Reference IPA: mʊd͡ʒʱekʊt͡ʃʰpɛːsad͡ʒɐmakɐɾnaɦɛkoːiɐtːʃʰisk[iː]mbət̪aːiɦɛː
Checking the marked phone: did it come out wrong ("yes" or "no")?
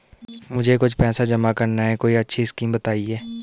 no